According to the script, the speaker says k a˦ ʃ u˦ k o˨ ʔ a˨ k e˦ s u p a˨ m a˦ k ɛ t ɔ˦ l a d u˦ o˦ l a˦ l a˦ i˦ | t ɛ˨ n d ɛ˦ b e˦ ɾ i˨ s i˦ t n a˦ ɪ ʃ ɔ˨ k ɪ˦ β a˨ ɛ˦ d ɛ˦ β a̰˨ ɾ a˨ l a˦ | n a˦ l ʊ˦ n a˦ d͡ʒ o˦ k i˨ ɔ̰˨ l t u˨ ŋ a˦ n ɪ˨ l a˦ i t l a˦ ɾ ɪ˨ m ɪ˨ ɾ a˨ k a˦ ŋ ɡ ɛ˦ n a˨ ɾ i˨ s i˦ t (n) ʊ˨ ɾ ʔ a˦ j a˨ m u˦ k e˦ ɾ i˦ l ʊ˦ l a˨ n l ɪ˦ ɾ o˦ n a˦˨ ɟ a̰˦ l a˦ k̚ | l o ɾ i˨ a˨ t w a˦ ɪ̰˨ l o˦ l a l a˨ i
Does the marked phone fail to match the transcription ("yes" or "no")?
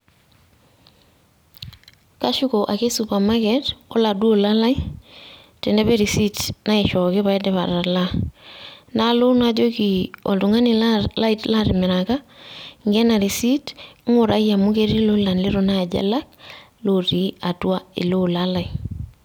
yes